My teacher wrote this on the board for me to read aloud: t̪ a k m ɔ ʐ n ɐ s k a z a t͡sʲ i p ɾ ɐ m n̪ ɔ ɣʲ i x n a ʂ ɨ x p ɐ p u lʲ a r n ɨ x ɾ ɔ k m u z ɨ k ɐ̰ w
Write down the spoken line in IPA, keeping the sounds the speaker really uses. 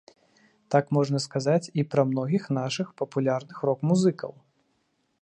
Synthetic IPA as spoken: t̪ a k m ɔ ʐ n ɐ s k a z a t͡sʲ i p ɾ ɐ m n̪ ɔ ɣʲ i x n a ʂ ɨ x p ɐ p u lʲ a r n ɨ x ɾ ɔ k m u z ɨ k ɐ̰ w